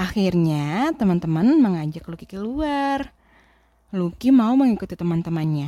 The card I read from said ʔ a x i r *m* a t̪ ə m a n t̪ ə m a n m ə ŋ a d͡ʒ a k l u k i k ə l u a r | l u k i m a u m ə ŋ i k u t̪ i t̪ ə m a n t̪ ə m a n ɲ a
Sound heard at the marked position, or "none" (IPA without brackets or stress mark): ɲ